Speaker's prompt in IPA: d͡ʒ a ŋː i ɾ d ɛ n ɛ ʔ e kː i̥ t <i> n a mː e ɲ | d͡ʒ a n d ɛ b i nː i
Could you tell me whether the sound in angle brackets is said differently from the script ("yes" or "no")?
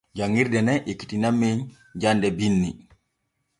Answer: no